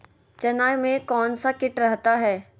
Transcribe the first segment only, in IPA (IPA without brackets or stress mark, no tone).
t͡ʃ